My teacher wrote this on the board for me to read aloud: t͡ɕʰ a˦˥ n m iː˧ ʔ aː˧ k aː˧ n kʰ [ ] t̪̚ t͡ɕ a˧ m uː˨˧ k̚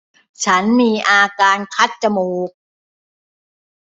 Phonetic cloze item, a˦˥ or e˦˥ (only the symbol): a˦˥